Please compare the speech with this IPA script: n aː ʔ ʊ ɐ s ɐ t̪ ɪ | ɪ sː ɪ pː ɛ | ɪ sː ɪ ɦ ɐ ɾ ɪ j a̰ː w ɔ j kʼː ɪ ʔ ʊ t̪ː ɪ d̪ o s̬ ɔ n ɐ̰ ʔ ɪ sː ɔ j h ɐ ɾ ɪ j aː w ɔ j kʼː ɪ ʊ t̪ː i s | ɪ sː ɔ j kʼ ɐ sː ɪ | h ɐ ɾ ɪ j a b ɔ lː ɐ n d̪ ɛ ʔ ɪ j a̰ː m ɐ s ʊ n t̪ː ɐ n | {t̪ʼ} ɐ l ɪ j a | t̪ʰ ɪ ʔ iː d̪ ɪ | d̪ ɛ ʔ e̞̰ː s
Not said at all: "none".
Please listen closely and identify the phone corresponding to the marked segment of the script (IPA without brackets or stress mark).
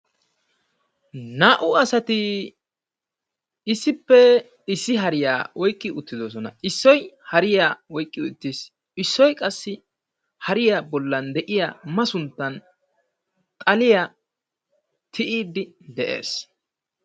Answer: t̪ʼ